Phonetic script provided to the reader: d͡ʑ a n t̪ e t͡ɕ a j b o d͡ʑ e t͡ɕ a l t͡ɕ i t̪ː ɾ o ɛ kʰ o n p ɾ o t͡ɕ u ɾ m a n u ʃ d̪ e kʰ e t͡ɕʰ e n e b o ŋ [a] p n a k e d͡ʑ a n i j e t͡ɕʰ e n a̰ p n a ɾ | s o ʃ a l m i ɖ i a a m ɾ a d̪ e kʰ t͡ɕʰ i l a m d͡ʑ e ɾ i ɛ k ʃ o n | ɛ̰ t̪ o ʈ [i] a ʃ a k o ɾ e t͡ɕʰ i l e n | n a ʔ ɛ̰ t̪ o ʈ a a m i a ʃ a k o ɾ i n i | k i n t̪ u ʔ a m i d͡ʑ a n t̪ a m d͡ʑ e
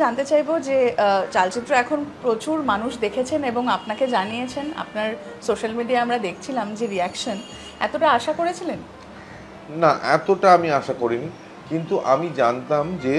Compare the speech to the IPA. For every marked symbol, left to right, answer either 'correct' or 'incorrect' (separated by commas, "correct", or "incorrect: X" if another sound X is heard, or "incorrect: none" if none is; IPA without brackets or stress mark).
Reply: correct, incorrect: a